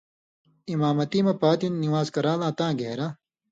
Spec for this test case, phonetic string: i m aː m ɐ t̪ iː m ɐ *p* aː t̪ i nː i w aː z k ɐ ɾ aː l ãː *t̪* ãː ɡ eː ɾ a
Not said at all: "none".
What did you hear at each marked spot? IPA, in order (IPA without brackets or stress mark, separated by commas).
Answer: p, t̪